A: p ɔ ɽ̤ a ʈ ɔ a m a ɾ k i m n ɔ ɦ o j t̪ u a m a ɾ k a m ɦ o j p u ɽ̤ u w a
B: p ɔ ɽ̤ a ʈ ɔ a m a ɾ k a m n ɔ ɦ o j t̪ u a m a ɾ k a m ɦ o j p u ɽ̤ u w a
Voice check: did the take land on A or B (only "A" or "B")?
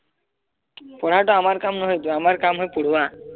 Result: B